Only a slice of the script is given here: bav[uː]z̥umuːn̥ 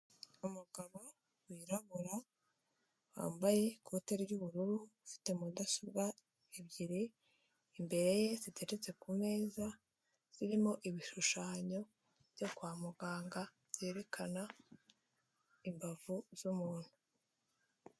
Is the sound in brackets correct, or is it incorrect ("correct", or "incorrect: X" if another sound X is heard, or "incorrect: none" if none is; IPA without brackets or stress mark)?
incorrect: u